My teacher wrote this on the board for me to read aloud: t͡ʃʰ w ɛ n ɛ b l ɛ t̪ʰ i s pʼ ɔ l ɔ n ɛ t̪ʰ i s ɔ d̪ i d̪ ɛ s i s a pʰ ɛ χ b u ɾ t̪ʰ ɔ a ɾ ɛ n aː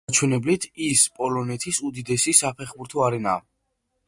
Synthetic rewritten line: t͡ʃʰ w ɛ n ɛ b l i t̪ʰ i s pʼ ɔ l ɔ n ɛ t̪ʰ i s u d̪ i d̪ ɛ s i s a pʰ ɛ χ b u ɾ t̪ʰ ɔ a ɾ ɛ n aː